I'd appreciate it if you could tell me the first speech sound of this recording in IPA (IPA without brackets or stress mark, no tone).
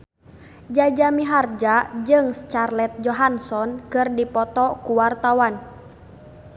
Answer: d͡ʒ